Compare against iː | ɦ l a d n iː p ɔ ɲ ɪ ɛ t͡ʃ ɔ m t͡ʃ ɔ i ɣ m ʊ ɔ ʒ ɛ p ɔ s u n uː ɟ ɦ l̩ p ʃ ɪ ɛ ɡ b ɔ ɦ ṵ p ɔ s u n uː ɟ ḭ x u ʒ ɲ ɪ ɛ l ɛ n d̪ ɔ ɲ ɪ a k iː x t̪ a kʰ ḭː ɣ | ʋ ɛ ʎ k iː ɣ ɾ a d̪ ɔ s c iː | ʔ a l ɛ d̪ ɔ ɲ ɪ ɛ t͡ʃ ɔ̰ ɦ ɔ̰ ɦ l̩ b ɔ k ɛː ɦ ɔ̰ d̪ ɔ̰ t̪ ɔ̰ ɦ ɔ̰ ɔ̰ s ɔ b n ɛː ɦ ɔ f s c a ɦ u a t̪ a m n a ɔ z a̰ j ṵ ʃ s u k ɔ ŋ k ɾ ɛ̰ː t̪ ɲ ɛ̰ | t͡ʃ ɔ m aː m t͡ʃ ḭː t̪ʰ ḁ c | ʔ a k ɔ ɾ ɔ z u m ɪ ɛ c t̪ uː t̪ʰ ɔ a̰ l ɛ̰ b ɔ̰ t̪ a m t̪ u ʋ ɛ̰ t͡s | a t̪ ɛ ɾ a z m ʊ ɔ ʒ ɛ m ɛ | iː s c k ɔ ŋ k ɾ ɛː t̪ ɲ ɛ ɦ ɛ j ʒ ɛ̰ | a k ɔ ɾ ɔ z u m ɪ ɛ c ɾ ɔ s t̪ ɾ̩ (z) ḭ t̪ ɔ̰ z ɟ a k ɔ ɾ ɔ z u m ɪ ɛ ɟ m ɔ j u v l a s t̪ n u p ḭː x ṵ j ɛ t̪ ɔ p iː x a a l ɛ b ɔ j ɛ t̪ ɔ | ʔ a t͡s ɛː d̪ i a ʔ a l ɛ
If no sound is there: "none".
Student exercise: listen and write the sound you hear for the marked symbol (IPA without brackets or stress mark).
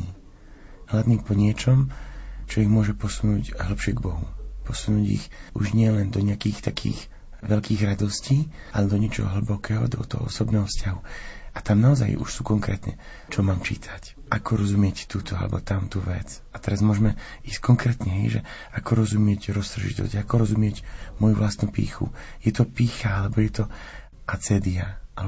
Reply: ʒ